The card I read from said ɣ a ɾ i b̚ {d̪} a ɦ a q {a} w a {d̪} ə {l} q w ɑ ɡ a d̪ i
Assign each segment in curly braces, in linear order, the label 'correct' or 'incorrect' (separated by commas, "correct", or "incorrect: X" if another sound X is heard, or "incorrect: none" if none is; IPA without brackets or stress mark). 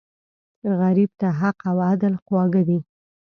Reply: incorrect: t̪, correct, correct, correct